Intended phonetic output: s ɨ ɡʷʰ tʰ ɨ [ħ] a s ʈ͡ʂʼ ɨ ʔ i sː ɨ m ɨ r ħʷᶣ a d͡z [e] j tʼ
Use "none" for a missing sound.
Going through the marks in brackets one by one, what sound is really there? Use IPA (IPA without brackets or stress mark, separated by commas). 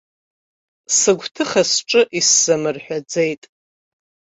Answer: χ, e